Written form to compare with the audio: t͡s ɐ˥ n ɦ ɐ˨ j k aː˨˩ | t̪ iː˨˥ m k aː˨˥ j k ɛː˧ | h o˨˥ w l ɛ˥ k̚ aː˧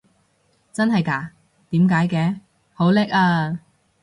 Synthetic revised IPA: t͡s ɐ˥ n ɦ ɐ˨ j k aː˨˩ | t̪ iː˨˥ m k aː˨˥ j k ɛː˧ | h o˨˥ w l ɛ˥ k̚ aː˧